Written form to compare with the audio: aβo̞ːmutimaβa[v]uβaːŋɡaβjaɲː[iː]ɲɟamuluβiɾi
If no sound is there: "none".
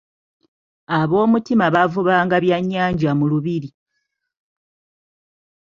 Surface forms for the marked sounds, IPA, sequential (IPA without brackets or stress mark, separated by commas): v, aː